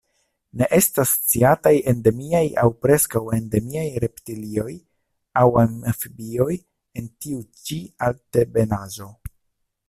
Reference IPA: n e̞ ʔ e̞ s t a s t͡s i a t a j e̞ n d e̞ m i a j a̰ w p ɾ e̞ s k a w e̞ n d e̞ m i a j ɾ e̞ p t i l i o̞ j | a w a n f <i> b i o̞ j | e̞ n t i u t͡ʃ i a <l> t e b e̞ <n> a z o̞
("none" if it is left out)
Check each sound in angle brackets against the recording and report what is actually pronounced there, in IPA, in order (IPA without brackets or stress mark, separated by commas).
i, l, n